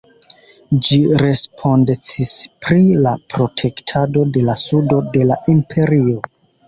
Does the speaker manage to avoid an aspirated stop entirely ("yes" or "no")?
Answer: no